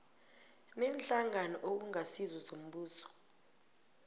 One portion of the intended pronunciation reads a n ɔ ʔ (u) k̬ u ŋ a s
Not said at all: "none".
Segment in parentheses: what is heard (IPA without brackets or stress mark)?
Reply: o